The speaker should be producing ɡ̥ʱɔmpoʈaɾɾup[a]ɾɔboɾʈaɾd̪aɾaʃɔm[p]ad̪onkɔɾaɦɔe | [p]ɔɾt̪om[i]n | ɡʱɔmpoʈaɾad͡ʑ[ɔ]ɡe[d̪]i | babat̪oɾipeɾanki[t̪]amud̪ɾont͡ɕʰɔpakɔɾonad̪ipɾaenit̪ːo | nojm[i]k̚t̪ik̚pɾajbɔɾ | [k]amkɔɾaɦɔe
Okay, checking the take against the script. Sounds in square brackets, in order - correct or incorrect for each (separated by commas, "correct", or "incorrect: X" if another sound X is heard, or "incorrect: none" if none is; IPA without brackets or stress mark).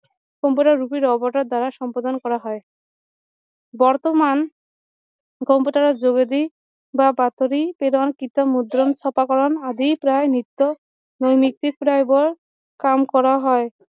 incorrect: i, correct, incorrect: b, incorrect: a, incorrect: o, correct, correct, correct, correct